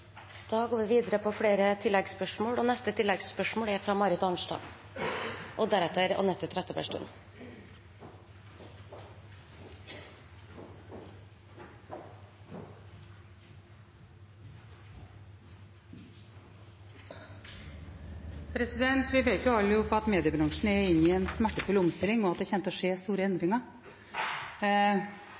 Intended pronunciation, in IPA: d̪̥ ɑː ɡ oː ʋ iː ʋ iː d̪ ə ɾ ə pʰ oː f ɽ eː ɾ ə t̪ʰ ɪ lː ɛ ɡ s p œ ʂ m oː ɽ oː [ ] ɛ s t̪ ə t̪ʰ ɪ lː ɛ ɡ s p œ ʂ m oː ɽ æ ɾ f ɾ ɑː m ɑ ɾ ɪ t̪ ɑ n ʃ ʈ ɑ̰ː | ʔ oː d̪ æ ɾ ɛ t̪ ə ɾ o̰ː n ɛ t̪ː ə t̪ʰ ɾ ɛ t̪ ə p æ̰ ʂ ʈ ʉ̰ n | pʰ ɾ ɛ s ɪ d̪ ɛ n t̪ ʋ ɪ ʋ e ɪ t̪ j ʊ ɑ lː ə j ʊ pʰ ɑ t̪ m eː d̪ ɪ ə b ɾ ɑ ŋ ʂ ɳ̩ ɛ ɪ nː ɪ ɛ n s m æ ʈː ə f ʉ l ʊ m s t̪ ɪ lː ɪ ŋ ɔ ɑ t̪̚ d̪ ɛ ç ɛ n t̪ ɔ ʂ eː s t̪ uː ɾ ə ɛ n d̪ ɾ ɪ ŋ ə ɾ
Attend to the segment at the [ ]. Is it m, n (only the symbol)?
n